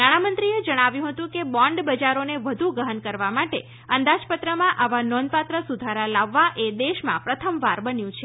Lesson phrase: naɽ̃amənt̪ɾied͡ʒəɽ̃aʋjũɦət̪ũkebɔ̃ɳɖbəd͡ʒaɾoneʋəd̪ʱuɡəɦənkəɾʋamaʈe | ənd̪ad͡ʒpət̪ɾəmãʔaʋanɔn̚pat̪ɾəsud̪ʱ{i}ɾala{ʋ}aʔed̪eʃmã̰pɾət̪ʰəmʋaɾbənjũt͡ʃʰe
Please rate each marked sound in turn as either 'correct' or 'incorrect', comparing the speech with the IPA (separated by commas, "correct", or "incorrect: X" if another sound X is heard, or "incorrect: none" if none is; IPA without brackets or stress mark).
incorrect: a, incorrect: ʋː